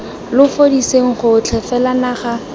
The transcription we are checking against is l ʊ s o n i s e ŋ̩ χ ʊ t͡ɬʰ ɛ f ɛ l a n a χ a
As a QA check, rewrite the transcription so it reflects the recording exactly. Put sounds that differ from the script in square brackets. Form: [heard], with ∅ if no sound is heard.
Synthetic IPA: l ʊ [f] o [d] i s e ŋ̩ χ ʊ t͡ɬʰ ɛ f ɛ l a n a χ a